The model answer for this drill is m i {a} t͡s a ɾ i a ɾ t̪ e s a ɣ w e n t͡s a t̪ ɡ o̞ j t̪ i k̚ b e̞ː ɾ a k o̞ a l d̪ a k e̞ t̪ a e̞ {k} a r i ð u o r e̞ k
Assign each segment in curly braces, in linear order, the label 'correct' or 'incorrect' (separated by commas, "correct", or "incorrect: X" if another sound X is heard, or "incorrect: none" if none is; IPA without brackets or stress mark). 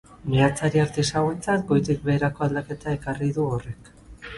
correct, correct